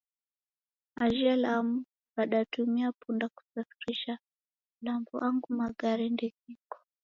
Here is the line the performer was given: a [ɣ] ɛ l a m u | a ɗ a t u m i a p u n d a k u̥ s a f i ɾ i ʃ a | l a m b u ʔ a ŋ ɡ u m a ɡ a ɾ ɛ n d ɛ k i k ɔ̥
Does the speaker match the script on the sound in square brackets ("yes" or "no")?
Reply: no